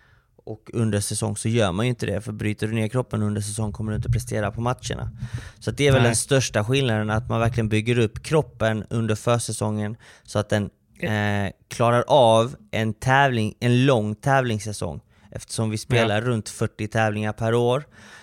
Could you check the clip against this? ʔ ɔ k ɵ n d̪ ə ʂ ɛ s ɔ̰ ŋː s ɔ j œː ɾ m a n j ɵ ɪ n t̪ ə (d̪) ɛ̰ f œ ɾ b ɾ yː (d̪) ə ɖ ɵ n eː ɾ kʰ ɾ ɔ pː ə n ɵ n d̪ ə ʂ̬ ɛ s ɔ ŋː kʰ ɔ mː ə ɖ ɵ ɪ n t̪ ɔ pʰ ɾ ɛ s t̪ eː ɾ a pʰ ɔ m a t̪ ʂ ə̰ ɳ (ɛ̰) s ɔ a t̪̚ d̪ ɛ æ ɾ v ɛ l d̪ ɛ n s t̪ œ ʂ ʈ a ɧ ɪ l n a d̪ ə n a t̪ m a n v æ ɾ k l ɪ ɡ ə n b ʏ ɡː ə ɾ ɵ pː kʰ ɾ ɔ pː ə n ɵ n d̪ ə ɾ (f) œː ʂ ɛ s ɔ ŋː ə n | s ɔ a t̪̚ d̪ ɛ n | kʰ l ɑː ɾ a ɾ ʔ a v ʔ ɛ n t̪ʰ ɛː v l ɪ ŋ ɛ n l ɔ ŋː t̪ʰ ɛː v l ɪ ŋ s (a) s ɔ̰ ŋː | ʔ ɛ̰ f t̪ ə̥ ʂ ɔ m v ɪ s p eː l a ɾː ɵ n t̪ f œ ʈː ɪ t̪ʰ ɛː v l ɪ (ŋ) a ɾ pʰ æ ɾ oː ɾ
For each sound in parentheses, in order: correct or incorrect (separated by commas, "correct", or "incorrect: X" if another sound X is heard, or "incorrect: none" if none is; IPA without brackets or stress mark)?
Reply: correct, incorrect: t̪, incorrect: a̰, correct, incorrect: ɛ, correct